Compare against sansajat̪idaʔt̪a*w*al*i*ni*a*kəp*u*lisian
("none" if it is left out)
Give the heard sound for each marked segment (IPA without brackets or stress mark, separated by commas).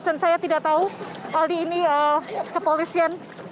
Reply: u, iː, ə, o